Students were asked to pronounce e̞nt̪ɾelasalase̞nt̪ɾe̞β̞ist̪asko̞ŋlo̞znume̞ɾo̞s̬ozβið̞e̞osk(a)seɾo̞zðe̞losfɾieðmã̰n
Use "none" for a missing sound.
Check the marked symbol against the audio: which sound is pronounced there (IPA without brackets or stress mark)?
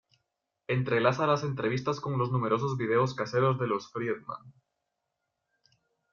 a